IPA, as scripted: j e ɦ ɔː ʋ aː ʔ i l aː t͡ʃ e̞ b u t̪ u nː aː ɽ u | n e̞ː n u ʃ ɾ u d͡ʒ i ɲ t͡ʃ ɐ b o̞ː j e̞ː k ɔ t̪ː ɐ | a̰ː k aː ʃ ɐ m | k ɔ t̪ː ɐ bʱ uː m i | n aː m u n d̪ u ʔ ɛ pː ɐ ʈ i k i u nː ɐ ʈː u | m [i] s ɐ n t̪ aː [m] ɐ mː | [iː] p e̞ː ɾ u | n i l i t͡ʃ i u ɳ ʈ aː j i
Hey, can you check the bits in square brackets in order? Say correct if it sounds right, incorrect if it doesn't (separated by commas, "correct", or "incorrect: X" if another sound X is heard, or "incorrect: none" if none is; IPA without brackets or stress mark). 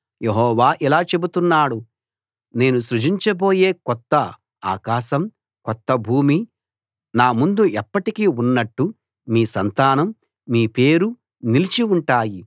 incorrect: iː, incorrect: n, correct